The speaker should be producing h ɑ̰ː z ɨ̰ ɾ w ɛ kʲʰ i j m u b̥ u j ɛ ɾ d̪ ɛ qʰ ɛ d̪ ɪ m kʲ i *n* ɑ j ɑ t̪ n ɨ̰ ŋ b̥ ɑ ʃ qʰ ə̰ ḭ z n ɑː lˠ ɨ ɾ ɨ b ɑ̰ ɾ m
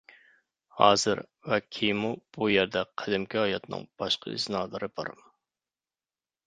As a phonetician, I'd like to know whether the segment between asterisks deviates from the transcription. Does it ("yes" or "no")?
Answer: yes